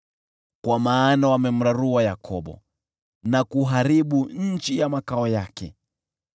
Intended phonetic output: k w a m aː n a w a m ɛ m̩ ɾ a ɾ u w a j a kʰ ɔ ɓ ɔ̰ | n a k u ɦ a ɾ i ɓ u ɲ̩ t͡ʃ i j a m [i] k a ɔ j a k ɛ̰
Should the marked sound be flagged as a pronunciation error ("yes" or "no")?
yes